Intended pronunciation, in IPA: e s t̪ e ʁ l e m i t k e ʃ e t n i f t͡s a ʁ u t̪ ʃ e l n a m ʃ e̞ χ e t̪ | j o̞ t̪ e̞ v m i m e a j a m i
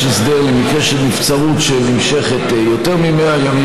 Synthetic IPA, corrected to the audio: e s d̪ e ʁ l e m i k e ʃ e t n i f t͡s a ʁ u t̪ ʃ e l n i m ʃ e̞ χ e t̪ | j o̞ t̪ e̞ ʁ m i m e a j a m i